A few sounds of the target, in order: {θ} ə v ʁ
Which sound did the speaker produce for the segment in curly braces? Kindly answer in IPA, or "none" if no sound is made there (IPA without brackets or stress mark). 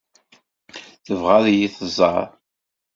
θ